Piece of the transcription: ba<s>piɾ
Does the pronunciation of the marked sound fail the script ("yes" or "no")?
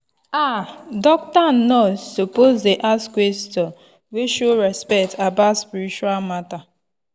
no